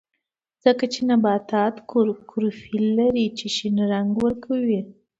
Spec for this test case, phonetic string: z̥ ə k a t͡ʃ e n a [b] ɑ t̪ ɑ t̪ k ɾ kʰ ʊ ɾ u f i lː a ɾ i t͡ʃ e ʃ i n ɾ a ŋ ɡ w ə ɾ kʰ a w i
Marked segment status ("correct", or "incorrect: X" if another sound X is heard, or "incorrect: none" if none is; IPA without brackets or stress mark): correct